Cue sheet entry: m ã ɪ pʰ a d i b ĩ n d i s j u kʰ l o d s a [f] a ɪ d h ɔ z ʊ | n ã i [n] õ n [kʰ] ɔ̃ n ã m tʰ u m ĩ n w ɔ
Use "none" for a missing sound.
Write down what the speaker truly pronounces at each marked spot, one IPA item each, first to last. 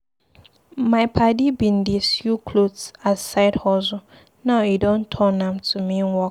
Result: s, d, tʰ

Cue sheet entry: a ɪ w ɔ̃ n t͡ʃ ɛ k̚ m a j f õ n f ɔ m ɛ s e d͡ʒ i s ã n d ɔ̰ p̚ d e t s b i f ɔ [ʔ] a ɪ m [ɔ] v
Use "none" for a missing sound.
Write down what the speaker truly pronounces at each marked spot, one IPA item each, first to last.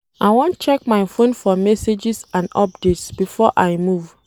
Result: ʔ, u

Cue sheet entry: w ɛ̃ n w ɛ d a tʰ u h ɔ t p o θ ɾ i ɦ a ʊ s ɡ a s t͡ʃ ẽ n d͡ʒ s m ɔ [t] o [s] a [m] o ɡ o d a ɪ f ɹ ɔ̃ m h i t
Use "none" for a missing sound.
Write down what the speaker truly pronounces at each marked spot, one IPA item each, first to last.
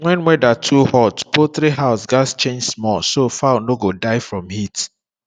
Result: s, f, n

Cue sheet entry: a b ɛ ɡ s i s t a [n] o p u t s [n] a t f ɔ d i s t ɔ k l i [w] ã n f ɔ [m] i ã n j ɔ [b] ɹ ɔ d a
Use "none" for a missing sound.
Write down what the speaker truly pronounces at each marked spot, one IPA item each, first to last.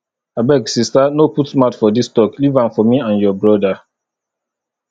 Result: n, m, v, m, b

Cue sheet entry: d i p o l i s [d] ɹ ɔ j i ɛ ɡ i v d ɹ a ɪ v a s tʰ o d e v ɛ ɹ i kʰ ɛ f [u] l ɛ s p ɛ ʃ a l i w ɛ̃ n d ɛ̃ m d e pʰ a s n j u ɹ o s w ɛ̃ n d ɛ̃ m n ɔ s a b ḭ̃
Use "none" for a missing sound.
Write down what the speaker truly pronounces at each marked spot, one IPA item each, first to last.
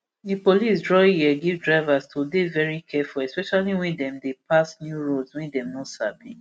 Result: d, u

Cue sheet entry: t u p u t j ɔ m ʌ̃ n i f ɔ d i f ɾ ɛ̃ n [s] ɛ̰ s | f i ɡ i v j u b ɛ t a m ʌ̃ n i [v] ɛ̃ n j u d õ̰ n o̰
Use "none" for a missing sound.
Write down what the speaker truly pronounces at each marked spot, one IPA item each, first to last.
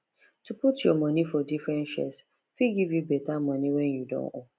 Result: ʃ, w

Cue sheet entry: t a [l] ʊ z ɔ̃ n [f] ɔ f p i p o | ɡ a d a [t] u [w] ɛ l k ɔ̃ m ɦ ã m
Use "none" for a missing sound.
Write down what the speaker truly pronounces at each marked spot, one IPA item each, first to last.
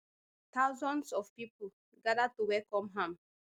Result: none, s, t, w

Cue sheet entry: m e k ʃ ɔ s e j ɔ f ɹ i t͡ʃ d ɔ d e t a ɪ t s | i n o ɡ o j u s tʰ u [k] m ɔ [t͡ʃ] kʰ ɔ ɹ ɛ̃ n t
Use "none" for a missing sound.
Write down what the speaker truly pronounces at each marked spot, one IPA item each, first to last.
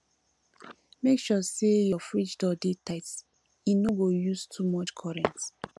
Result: none, t͡ʃ

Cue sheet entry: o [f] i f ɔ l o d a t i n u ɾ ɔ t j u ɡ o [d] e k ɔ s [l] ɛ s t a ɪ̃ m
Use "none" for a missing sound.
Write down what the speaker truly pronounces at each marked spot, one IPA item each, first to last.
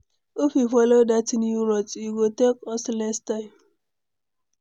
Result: f, t, l

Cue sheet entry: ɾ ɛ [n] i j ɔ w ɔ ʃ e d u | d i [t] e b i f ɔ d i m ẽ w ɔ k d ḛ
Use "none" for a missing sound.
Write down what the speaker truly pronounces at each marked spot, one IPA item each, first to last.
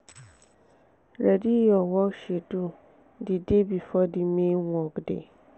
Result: d, d

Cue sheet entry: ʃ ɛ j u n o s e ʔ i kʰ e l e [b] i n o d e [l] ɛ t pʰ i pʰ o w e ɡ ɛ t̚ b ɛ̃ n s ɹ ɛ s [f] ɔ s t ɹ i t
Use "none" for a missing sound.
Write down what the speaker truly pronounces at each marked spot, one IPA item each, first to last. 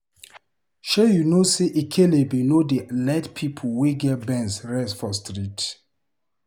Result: b, l, f

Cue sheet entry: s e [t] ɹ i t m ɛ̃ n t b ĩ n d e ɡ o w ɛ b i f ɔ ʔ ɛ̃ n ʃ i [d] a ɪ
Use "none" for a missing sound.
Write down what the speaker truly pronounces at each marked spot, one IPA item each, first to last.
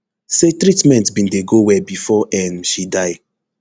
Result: t, d

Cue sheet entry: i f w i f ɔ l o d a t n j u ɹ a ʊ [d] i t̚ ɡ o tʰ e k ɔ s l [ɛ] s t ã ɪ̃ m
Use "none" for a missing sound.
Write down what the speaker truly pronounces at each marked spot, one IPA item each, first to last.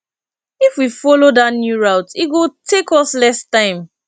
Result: t, ɛ

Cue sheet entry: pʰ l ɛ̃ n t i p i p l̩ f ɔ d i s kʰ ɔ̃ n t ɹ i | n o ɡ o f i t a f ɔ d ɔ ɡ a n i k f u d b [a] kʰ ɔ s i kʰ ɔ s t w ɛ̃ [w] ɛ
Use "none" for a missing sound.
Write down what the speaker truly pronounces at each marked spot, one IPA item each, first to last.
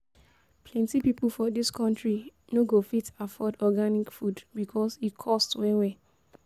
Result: i, w

